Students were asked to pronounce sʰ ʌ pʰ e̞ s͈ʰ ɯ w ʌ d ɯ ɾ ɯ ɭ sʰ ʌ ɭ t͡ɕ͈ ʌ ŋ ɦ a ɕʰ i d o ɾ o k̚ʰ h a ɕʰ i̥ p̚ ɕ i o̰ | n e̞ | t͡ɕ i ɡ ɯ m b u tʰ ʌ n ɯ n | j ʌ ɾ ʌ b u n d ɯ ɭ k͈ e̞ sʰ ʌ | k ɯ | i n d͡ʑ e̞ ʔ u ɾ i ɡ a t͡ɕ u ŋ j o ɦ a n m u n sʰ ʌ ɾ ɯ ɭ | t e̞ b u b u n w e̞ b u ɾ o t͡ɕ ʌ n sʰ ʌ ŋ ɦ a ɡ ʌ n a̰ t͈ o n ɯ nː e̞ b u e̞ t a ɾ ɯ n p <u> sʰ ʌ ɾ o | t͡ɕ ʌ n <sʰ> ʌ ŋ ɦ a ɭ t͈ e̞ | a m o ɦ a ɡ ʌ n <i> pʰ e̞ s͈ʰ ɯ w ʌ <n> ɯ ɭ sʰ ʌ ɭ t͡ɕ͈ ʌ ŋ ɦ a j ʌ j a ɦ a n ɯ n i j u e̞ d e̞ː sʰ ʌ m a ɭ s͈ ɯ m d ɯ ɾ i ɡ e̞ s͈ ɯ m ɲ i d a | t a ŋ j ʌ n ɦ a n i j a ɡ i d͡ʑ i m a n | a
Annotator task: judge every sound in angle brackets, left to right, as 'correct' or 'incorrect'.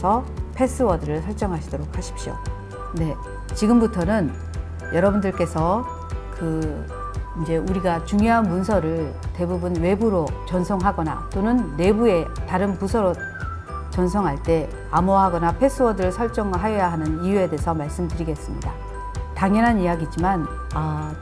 correct, correct, incorrect: a, incorrect: d

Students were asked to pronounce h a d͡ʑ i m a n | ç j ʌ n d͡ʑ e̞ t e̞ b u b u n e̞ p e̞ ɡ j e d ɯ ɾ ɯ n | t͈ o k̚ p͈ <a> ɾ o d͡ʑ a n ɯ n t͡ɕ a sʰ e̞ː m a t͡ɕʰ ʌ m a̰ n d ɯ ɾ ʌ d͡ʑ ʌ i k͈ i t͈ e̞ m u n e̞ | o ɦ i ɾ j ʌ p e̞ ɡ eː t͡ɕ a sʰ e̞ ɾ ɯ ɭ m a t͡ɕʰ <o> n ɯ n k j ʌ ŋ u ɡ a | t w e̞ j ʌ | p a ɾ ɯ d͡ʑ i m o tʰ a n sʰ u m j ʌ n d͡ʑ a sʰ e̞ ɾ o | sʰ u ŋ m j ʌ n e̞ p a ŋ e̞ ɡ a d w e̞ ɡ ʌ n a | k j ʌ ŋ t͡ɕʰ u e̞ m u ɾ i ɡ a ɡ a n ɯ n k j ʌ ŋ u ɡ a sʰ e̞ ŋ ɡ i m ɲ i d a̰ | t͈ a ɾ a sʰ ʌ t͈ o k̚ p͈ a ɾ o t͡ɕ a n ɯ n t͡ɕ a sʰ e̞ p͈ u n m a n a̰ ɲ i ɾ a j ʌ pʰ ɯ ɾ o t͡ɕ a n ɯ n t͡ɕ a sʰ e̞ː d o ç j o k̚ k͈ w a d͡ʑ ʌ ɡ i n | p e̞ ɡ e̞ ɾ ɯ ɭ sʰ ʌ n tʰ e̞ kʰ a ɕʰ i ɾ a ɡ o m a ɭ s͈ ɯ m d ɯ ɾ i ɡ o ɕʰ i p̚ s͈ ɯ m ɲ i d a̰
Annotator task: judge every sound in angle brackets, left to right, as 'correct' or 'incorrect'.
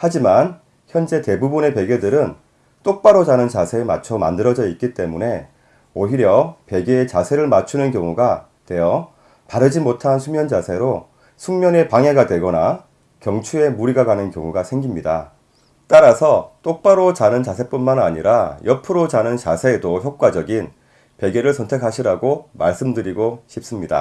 correct, incorrect: u

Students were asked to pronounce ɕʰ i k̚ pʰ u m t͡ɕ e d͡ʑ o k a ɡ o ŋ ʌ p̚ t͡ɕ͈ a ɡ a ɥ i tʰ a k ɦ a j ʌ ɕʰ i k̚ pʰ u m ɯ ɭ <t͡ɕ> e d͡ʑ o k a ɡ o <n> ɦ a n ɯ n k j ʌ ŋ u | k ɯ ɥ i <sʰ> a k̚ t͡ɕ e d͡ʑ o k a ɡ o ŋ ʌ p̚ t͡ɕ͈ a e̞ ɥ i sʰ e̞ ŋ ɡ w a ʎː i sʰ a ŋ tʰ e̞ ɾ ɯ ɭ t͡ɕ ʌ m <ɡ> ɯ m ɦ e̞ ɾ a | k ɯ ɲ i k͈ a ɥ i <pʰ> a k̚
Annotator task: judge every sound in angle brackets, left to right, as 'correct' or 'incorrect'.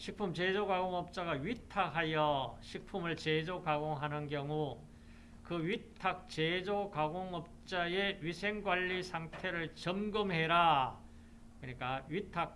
correct, incorrect: ŋ, incorrect: tʰ, correct, incorrect: tʰ

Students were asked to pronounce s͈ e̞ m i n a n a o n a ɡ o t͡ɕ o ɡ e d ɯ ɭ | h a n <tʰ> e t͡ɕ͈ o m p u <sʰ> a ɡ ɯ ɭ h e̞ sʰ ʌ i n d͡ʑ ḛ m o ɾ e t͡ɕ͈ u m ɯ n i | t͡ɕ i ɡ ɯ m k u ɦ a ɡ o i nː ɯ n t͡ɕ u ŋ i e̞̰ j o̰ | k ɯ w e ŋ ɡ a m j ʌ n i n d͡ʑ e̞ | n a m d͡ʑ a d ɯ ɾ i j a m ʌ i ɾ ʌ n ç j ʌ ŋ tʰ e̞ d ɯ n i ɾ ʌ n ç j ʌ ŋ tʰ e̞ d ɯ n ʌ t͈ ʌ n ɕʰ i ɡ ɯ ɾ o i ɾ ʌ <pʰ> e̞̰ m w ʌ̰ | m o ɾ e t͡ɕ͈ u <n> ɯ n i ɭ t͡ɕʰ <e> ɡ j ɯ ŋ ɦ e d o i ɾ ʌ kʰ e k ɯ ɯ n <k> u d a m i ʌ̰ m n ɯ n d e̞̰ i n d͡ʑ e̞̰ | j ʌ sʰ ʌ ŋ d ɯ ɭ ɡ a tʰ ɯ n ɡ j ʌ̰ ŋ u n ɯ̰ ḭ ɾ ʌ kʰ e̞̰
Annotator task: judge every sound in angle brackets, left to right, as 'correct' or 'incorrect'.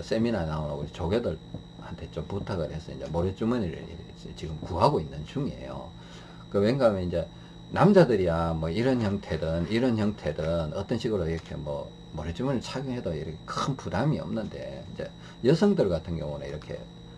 correct, incorrect: tʰ, incorrect: kʰ, incorrect: m, incorrect: a, incorrect: p

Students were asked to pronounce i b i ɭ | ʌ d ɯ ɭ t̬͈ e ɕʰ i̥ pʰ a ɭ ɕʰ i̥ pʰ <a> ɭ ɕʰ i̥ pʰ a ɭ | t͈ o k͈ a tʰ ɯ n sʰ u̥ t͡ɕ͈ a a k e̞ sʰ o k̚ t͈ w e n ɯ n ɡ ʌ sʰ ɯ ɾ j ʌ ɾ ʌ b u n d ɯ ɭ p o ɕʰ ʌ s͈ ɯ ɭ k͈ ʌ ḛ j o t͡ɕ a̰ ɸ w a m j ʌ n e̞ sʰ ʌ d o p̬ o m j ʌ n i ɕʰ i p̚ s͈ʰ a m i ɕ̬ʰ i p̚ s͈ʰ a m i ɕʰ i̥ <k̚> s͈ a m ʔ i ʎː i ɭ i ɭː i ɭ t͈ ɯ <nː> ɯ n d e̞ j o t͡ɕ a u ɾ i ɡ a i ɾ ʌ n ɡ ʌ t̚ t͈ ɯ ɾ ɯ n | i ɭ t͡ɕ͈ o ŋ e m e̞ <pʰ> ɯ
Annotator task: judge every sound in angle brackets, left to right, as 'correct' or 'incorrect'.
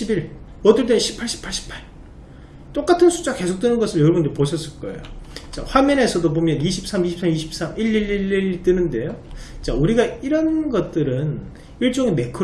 correct, incorrect: p̚, incorrect: n, incorrect: kʰ

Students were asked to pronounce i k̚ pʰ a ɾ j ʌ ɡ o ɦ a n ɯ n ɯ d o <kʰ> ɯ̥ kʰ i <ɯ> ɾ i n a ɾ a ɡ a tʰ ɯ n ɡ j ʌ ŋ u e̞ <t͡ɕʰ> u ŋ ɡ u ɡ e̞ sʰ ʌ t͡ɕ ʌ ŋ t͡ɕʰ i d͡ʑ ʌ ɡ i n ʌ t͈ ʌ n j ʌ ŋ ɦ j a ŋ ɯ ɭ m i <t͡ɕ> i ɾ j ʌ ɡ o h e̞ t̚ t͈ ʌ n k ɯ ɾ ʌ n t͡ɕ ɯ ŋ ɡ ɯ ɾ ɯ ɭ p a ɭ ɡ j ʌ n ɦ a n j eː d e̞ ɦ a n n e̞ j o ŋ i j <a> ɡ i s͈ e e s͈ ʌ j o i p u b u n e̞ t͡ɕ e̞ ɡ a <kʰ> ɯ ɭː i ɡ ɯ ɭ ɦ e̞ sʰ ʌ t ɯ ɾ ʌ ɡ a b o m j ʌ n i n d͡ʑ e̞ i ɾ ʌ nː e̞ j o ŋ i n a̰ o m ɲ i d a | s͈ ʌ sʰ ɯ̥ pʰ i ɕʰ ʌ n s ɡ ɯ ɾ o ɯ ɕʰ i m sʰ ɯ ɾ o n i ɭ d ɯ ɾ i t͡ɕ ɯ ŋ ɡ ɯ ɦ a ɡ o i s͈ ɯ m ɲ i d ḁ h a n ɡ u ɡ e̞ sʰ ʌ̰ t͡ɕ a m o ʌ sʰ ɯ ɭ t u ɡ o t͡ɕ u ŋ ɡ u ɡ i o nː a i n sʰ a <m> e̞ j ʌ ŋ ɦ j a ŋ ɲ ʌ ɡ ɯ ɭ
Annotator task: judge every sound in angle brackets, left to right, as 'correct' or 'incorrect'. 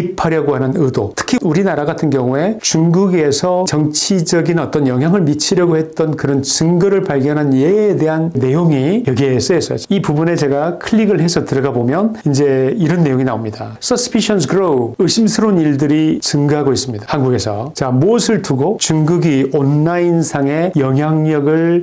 incorrect: tʰ, incorrect: u, incorrect: t͡ɕ, incorrect: t͡ɕʰ, incorrect: ʌ, correct, incorrect: ŋ

